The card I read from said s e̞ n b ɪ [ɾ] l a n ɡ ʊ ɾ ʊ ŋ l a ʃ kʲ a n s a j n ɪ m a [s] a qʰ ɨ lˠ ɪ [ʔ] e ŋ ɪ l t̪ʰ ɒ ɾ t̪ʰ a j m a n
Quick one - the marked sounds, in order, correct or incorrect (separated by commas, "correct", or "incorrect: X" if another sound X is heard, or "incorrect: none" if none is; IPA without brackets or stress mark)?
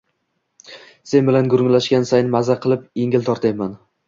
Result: incorrect: none, incorrect: z, incorrect: p